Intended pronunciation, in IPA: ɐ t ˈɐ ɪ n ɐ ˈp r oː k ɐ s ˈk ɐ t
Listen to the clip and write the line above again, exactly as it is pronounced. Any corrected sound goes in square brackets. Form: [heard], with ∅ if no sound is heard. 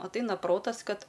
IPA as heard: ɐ t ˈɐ ɪ n ɐ ˈp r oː [t] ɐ s ˈk ɐ t